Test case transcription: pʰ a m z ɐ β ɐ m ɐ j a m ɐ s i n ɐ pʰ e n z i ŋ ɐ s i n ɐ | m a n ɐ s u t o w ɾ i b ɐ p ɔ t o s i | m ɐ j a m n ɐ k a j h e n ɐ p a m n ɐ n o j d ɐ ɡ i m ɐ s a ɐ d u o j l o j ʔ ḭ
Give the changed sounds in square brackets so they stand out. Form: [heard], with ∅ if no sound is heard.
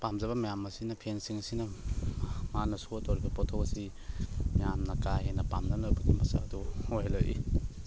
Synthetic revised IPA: [p] a m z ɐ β ɐ m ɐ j a m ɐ s i n ɐ pʰ e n [s] i ŋ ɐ s i n ɐ | m a n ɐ s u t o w ɾ i b ɐ p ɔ [tʰ] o s i | m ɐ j a m n ɐ k a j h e n ɐ p a m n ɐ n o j [b] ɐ ɡ i m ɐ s a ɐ d u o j l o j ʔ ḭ